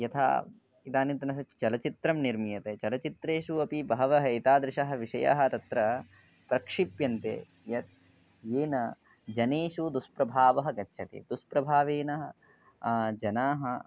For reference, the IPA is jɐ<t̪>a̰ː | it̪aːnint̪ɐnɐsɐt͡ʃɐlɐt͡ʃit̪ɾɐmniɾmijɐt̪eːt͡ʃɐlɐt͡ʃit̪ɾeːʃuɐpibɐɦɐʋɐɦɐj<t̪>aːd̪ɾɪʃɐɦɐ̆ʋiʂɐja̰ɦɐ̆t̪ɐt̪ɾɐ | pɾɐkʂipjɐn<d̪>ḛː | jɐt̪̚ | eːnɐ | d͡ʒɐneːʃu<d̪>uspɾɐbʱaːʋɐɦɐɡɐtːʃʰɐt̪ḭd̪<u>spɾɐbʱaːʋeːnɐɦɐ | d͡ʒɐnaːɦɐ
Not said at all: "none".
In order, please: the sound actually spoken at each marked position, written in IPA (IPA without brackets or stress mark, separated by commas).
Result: t̪ʰ, t̪, t̪, d̪, u